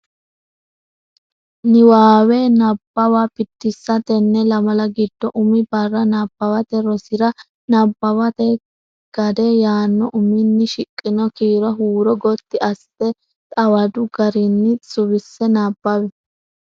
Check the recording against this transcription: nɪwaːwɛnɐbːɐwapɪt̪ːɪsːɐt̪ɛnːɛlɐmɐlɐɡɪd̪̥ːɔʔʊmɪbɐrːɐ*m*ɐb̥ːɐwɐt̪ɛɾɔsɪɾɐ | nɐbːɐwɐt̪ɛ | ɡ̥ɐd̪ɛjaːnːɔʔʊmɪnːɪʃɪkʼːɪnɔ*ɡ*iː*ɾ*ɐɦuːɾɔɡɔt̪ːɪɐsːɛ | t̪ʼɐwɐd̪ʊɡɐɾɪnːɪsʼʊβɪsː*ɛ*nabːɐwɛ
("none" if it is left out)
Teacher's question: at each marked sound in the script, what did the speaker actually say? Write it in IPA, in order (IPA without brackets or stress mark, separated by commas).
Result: n, k, ɾ, ɛ